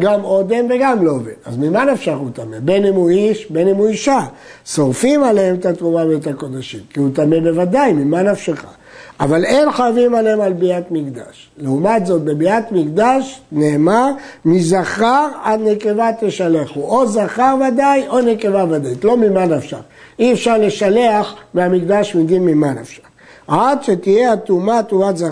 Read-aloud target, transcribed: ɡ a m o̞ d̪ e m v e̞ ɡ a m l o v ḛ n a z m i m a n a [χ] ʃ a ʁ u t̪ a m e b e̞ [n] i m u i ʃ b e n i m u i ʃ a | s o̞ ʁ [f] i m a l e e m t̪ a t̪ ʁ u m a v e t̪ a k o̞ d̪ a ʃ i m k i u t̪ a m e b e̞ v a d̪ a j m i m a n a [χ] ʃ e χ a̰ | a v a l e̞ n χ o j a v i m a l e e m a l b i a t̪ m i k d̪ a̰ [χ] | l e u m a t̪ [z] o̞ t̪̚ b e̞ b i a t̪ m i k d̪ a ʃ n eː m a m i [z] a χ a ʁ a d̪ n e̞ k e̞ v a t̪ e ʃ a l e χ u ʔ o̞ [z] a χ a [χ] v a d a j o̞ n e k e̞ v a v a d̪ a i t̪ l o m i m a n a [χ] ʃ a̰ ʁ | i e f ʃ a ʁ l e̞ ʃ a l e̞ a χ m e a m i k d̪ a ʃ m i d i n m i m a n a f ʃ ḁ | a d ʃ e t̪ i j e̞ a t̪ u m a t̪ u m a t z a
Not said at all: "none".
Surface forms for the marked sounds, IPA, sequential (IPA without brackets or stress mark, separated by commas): f, n, f, f, ʃ, z, z, z, ʁ, f